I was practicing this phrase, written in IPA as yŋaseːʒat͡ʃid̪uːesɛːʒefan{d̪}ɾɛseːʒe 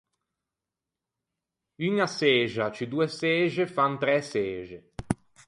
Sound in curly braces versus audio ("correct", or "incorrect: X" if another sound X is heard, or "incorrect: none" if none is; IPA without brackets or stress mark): incorrect: t̪